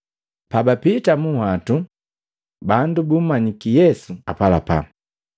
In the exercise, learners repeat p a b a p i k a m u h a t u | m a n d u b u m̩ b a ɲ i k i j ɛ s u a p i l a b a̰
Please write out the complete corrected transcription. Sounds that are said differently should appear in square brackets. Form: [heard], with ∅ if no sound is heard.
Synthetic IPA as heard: p a b a p i [t] a m u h a t u | [b] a n d u b u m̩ [m] a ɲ i k i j ɛ s u a p [a] l a [p] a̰